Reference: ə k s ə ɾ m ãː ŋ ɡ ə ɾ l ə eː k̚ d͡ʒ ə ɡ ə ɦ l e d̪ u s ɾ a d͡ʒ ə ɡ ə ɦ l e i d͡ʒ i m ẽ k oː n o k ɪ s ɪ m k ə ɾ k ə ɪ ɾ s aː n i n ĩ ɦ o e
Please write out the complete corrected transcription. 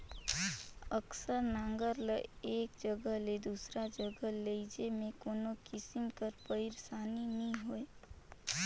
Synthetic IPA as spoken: ə k s ə ɾ n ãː ŋ ɡ ə ɾ l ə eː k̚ d͡ʒ ə ɡ ə ɦ l e d̪ u s ɾ a d͡ʒ ə ɡ ə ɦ l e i d͡ʒ e m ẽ k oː n o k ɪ s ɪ m k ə ɾ p ə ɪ ɾ s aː n i n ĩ ɦ o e